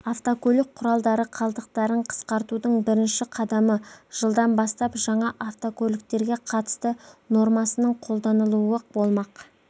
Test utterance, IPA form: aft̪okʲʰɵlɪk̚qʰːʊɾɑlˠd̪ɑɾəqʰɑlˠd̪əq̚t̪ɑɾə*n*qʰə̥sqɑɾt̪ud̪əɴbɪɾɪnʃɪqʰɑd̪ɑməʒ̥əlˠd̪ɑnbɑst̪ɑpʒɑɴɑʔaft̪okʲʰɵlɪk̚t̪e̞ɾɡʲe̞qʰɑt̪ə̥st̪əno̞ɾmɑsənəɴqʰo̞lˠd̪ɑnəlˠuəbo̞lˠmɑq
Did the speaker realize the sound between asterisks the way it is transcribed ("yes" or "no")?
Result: no